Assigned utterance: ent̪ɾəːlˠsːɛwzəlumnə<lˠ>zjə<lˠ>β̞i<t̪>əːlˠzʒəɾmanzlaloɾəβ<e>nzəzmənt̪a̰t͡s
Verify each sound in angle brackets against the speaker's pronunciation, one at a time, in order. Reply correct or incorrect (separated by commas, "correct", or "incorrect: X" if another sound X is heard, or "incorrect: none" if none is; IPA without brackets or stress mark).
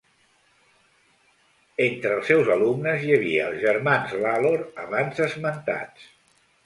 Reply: incorrect: none, incorrect: none, incorrect: none, incorrect: a